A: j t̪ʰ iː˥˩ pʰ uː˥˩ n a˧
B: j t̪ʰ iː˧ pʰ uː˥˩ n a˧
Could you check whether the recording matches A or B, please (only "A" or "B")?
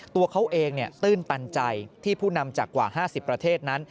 A